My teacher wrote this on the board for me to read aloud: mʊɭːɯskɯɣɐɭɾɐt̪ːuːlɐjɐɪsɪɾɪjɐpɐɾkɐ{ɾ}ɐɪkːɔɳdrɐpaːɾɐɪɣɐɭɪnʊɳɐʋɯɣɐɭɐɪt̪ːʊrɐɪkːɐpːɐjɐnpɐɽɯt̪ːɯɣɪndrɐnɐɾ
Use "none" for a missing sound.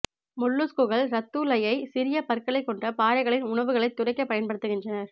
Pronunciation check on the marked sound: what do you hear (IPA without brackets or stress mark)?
ɭ